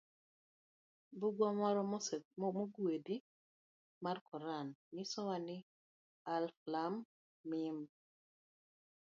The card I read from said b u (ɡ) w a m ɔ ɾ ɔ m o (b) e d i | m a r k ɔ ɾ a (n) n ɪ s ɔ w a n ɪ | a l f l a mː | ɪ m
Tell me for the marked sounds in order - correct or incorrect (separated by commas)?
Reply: correct, incorrect, correct